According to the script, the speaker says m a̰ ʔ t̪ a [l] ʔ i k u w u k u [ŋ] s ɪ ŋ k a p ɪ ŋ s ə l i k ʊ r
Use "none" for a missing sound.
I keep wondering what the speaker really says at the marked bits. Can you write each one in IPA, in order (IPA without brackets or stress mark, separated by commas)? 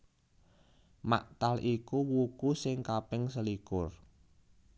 l, none